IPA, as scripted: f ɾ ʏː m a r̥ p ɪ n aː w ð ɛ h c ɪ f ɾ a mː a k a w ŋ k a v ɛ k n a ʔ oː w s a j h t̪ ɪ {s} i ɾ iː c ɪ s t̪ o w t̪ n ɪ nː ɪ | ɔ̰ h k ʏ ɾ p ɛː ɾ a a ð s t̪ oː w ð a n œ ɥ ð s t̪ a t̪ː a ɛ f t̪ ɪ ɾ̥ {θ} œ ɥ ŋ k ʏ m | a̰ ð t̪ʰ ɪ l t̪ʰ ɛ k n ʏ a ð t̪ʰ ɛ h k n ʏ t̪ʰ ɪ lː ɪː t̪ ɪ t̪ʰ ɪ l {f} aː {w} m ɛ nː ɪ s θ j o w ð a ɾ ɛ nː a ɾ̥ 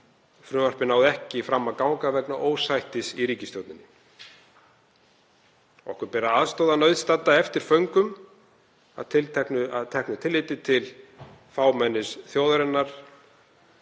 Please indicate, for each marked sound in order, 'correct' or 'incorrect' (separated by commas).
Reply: correct, incorrect, correct, correct